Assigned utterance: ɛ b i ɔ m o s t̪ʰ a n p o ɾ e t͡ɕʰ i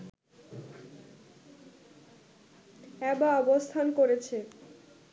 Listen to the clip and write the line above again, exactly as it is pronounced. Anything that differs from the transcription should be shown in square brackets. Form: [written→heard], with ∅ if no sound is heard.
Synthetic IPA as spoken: ɛ b [i→a] ɔ [m→b] o s t̪ʰ a n [p→k] o ɾ e t͡ɕʰ [i→e]